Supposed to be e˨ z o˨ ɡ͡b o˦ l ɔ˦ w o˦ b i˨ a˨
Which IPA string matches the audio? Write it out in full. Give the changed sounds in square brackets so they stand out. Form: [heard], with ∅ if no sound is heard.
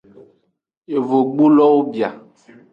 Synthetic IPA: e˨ [v] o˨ ɡ͡b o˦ l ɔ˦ w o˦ b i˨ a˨